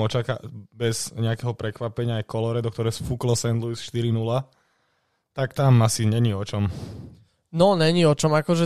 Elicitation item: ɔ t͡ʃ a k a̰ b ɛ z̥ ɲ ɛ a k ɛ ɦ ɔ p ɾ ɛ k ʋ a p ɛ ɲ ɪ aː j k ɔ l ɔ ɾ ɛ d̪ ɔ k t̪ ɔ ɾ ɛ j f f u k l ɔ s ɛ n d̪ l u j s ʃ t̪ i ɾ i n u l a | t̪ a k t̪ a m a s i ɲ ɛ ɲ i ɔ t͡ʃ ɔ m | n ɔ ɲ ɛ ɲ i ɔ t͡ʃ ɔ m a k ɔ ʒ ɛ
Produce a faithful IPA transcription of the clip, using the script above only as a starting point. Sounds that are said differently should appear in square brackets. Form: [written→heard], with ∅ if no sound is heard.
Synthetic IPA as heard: ɔ t͡ʃ a k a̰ b ɛ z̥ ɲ ɛ a k ɛ ɦ ɔ p ɾ ɛ k ʋ a p ɛ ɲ ɪ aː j k ɔ l ɔ ɾ ɛ d̪ ɔ k t̪ ɔ ɾ ɛ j [f→s] f u k l ɔ s ɛ n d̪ l u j s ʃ t̪ i ɾ i n u l a | t̪ a k t̪ a m a s i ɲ ɛ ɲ i ɔ t͡ʃ ɔ m | n ɔ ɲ ɛ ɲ i ɔ t͡ʃ ɔ m a k ɔ ʒ ɛ